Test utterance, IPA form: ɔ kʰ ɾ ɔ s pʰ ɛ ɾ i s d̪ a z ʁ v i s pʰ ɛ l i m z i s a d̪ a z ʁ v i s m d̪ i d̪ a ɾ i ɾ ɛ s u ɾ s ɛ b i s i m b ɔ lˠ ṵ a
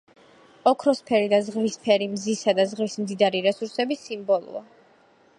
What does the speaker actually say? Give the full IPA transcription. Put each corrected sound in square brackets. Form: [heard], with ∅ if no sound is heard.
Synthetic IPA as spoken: ɔ kʰ ɾ ɔ s pʰ ɛ ɾ i [∅] d̪ a z ʁ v i s pʰ ɛ [ɾ] i m z i s a d̪ a z ʁ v i s m d̪ i d̪ a ɾ i ɾ ɛ s u ɾ s ɛ b i s i m b ɔ lˠ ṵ a